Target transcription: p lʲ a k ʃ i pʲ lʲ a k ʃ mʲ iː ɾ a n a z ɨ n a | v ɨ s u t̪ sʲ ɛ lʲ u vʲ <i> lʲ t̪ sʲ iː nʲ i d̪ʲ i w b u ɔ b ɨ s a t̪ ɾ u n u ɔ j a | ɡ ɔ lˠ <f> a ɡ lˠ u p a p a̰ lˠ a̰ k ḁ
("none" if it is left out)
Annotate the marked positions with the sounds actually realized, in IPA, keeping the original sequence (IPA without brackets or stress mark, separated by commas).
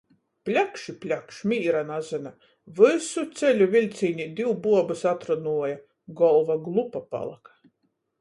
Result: i, v